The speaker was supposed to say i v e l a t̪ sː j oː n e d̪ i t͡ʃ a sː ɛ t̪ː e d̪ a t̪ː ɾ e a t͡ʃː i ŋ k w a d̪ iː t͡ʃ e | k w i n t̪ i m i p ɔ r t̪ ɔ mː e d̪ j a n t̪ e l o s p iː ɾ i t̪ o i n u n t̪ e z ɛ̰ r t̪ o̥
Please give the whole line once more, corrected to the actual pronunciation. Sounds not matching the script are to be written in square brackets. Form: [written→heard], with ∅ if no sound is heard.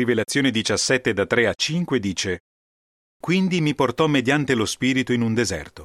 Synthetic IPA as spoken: i v e l a t̪ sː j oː n e d̪ i t͡ʃ a sː ɛ t̪ː e d̪ a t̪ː ɾ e a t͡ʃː i ŋ k w [a→e] d̪ iː t͡ʃ e | k w i n [t̪→d̪] i m i p [ɔ→o] r t̪ ɔ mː e d̪ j a n t̪ e l o s p iː ɾ i t̪ o i n u n [t̪→d̪] e z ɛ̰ r t̪ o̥